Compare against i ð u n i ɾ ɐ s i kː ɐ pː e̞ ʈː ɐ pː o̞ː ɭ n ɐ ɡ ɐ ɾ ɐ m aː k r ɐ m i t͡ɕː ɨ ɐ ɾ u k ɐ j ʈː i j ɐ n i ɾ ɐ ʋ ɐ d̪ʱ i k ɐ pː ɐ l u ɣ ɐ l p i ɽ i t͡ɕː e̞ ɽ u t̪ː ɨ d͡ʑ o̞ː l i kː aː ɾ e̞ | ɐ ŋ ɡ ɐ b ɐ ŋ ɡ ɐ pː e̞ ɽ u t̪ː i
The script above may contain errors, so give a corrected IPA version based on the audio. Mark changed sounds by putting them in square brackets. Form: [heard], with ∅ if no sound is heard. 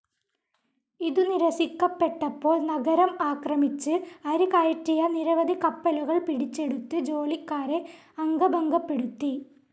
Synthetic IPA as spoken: i ð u n i ɾ ɐ s i kː ɐ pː e̞ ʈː ɐ pː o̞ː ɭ n ɐ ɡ ɐ ɾ ɐ m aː k r ɐ m i t͡ɕː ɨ ɐ ɾ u k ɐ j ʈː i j ɐ n i ɾ ɐ ʋ ɐ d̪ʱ i k ɐ pː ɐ l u ɣ ɐ [ɭ] p i ɽ i t͡ɕː e̞ ɽ u t̪ː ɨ d͡ʑ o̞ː l i kː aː ɾ e̞ | ɐ ŋ ɡ ɐ b ɐ ŋ ɡ ɐ pː e̞ ɽ u t̪ː i